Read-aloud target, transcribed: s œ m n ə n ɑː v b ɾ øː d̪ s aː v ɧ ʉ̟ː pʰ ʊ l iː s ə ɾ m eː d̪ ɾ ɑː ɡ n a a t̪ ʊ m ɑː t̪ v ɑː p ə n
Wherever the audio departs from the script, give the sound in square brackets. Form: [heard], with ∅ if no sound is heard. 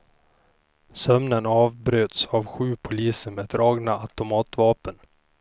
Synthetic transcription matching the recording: s œ m n ə n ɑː v b ɾ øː [t̪] s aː v ɧ ʉ̟ː pʰ ʊ l iː s ə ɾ m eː d̪ ɾ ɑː ɡ n a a t̪ ʊ m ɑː t̪ v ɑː p ə n